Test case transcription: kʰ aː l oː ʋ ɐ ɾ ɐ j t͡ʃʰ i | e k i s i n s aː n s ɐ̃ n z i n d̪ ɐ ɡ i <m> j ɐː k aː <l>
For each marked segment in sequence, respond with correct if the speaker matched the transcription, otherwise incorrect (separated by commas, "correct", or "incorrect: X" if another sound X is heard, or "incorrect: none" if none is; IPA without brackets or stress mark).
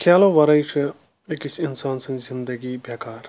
incorrect: b, incorrect: ɾ